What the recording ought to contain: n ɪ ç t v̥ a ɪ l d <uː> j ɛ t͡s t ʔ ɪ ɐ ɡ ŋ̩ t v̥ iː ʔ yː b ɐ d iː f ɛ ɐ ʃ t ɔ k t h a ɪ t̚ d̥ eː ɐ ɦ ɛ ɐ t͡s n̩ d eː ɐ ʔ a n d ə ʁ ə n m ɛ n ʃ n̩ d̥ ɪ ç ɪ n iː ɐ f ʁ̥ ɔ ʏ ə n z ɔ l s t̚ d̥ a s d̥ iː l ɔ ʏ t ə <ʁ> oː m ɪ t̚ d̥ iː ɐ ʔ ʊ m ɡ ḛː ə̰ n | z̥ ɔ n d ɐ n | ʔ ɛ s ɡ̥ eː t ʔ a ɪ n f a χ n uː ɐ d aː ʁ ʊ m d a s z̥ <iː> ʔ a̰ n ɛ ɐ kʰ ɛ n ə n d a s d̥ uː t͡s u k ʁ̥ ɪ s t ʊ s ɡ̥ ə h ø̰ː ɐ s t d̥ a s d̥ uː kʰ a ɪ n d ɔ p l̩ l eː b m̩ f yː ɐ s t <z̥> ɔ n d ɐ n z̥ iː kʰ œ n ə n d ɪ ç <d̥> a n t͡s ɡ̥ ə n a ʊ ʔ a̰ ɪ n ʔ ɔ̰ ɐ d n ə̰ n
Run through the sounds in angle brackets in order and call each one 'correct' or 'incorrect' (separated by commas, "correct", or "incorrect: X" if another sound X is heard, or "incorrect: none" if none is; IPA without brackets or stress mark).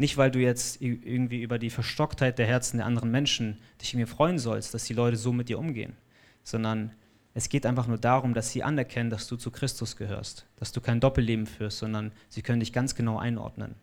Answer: correct, incorrect: z, correct, correct, incorrect: ɡ̥